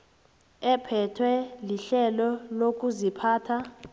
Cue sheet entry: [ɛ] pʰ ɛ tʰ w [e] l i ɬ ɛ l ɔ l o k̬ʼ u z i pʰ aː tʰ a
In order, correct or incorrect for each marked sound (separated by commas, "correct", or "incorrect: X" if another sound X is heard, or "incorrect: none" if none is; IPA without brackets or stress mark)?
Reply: correct, incorrect: ɛ